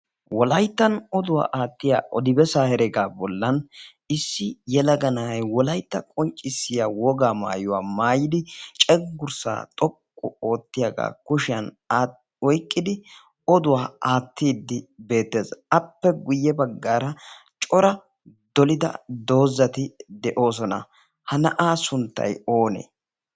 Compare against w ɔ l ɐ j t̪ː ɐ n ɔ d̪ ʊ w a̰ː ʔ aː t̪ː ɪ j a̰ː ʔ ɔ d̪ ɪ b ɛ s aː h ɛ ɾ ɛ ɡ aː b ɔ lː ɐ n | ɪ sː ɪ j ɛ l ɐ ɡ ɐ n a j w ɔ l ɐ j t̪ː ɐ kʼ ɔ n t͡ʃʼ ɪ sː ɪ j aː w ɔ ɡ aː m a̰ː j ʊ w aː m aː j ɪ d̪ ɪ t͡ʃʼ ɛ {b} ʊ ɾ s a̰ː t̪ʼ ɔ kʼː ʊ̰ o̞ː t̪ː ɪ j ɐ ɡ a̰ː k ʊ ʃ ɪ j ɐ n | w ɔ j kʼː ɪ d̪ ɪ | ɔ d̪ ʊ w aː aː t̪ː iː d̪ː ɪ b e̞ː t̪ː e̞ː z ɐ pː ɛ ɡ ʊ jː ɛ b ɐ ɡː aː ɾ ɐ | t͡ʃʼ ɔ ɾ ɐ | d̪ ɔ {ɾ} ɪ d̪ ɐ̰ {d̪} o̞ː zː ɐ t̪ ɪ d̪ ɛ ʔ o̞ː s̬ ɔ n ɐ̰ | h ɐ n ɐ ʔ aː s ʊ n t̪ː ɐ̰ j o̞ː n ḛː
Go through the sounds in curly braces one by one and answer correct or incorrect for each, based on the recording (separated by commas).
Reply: incorrect, incorrect, correct